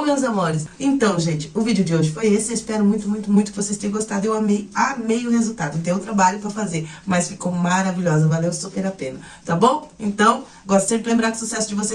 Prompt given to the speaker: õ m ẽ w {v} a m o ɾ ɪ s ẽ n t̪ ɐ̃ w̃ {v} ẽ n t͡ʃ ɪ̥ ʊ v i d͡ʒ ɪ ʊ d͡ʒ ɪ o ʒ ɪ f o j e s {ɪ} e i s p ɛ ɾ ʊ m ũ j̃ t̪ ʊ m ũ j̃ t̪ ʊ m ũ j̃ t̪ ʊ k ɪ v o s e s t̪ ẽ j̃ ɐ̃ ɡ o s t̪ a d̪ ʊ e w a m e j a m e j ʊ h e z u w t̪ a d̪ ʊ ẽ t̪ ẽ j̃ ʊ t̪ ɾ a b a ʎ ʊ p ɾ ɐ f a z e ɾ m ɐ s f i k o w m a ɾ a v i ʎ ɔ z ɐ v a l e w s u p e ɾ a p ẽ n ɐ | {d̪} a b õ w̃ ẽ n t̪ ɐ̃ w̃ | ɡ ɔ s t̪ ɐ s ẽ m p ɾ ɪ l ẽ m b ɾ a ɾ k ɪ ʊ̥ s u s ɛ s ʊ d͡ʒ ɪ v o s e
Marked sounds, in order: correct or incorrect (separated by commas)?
incorrect, incorrect, correct, incorrect